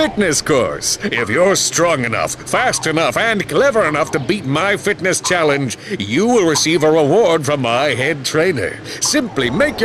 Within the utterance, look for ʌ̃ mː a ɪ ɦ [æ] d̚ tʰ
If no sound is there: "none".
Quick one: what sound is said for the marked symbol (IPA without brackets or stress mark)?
ɛ